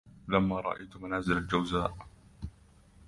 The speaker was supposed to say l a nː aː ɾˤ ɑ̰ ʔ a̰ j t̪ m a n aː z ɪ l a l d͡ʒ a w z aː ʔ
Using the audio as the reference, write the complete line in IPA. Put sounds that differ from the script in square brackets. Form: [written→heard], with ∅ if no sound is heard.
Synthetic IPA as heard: l a [nː→mː] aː ɾˤ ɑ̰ ʔ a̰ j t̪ m a n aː z ɪ l a l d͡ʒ a w z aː ʔ